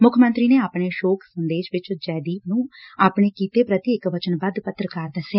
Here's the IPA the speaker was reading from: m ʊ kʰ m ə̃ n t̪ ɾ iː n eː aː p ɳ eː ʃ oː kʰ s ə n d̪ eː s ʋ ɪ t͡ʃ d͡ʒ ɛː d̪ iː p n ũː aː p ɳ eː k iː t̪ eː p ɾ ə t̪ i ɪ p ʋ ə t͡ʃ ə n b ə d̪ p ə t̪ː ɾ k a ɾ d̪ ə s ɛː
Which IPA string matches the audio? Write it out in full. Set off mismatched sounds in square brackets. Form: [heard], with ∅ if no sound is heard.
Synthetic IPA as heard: m ʊ kʰ m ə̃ n t̪ ɾ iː n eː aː p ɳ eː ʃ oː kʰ s ə n d̪ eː [ʃ] ʋ ɪ t͡ʃ d͡ʒ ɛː d̪ iː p n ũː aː p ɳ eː k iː t̪ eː p ɾ ə t̪ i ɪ [k] ʋ ə t͡ʃ ə n b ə d̪ p ə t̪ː ɾ k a ɾ d̪ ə s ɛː